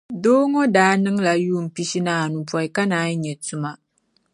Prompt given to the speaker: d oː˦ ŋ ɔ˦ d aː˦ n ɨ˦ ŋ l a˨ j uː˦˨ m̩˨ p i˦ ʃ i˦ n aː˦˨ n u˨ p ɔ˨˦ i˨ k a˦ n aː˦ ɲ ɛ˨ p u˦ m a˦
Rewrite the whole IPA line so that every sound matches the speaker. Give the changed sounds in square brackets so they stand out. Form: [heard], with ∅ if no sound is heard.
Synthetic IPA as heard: d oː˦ ŋ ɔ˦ d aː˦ n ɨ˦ ŋ l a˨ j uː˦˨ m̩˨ p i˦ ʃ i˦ n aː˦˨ n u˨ p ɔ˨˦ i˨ k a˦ n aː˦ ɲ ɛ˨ [t] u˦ m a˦